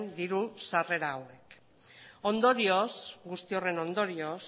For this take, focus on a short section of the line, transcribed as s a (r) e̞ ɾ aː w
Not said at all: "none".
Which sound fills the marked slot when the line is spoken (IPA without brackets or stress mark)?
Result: r